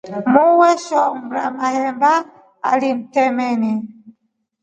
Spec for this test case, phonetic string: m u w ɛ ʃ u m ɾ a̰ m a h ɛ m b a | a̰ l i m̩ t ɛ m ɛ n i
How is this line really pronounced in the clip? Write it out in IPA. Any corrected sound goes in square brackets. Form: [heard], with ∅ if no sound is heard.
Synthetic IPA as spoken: m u w ɛ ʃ [ɔ] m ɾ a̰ m a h ɛ m b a | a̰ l i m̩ t ɛ m ɛ n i